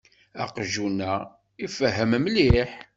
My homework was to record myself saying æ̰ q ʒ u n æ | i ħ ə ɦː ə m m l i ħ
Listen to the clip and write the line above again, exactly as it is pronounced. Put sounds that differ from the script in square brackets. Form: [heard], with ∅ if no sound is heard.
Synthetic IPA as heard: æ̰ q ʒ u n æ | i [f] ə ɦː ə m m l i ħ